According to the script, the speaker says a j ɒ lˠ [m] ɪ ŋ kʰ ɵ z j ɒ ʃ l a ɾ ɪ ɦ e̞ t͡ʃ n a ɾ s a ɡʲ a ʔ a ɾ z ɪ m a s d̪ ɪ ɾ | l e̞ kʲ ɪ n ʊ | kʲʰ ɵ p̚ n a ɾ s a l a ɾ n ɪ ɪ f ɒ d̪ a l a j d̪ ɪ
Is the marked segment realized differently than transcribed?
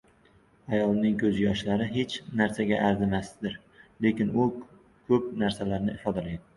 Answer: yes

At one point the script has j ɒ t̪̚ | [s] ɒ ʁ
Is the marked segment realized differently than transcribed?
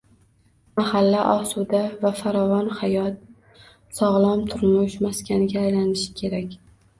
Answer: no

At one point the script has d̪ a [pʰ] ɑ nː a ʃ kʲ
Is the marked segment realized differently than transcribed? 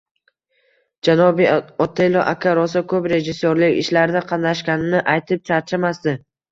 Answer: yes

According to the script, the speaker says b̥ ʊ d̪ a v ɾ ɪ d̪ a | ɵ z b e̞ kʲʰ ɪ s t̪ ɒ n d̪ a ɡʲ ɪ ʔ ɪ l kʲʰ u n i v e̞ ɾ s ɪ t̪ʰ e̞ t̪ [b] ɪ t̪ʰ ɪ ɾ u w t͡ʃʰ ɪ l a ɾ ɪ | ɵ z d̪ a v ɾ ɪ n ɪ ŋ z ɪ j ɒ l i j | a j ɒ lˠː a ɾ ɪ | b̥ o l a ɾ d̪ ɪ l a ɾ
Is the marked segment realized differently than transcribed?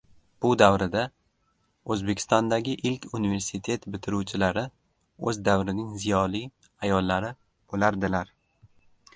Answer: no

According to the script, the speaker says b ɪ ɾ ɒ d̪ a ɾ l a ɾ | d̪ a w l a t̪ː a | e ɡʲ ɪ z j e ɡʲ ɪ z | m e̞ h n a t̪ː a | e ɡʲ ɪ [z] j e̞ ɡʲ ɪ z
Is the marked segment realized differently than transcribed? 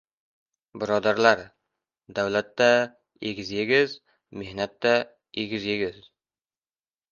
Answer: no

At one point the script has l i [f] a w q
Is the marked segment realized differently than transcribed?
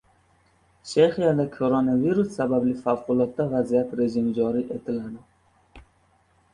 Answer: no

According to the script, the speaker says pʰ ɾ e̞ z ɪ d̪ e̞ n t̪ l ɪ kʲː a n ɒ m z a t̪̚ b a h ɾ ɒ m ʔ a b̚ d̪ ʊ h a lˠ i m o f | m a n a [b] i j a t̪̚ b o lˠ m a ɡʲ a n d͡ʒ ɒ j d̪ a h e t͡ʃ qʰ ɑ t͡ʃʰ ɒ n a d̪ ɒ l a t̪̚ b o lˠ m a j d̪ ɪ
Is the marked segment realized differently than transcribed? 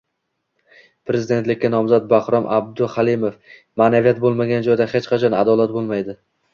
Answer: yes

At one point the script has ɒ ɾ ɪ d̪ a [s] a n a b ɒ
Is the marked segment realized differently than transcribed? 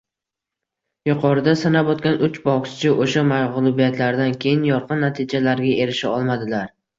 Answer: no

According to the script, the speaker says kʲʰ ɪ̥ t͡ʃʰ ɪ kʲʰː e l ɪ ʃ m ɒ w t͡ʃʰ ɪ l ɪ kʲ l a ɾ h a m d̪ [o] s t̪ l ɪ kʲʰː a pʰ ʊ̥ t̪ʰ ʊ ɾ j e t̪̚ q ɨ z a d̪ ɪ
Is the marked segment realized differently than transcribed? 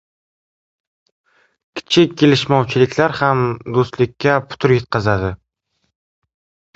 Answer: no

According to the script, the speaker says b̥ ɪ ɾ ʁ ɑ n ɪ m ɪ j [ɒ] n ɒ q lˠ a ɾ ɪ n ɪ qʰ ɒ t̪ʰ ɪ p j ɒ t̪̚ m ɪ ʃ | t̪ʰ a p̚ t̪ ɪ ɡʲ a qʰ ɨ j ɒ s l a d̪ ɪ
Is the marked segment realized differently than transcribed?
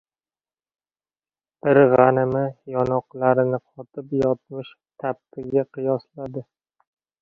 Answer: no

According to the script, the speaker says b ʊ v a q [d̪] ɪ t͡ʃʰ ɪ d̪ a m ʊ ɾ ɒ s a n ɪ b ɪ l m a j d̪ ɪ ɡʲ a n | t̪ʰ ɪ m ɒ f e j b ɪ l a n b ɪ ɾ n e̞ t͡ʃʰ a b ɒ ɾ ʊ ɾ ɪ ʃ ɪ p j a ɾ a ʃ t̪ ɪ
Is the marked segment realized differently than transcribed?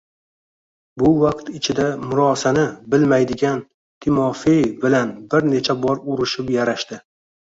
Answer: yes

